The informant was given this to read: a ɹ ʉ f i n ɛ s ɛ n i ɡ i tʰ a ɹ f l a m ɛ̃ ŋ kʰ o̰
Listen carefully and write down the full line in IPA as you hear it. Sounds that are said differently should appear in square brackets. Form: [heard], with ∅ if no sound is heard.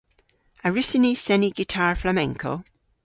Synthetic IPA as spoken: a ɹ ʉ [s] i n [i] s ɛ n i ɡ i tʰ a ɹ f l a m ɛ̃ ŋ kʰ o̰